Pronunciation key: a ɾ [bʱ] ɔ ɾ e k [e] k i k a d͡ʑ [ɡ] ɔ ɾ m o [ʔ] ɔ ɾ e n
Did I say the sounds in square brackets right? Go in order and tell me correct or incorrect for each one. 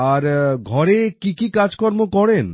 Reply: incorrect, incorrect, incorrect, incorrect

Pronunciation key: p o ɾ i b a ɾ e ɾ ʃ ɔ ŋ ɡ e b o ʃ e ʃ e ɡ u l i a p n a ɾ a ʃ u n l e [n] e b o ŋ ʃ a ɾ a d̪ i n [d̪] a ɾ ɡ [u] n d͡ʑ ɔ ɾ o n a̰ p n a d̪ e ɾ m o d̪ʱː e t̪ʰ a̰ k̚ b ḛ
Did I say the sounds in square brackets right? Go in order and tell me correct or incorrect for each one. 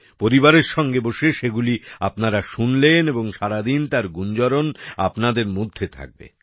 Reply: correct, incorrect, correct

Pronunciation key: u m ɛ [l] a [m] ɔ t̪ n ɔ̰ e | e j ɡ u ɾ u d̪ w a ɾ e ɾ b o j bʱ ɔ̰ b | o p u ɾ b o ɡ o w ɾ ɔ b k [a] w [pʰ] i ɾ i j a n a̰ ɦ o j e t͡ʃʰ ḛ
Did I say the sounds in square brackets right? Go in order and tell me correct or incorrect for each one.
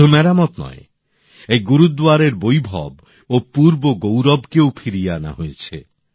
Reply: incorrect, correct, incorrect, correct

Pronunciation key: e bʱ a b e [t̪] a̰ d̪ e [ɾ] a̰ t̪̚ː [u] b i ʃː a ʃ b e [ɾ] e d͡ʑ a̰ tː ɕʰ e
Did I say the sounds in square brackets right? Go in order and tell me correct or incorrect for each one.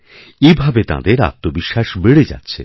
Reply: correct, correct, incorrect, incorrect

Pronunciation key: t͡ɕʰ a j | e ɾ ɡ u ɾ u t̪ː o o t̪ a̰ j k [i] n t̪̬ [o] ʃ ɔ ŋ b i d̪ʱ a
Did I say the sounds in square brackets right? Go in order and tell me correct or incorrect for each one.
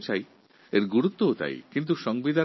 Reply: correct, incorrect

